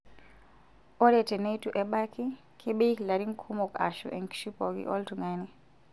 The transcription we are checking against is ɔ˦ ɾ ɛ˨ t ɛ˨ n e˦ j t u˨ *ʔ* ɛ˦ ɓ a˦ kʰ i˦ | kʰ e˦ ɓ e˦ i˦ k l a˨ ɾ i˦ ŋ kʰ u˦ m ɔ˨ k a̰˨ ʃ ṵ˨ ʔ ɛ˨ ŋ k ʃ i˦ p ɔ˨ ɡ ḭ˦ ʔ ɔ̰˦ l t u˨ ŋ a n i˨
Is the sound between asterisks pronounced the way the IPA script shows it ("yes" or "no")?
yes